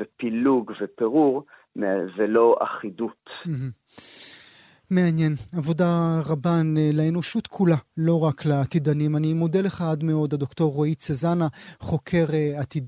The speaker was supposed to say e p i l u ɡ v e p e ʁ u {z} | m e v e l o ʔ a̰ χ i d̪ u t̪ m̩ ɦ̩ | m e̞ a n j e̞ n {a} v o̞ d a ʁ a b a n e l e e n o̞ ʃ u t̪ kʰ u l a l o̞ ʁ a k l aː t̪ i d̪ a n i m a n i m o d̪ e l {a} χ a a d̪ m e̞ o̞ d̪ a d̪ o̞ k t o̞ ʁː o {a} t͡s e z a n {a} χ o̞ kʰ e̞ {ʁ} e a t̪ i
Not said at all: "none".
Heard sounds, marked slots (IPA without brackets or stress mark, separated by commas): ʁ, a, e, i, a, ʁ